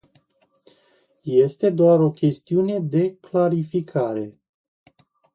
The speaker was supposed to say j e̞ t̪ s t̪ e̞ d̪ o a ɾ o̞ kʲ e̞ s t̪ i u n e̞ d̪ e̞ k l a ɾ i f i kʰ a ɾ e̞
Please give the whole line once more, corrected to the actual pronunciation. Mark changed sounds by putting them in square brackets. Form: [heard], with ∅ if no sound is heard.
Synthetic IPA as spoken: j e̞ [∅] s t̪ e̞ d̪ o a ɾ o̞ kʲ e̞ s t̪ i u n e̞ d̪ e̞ k l a ɾ i f i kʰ a ɾ e̞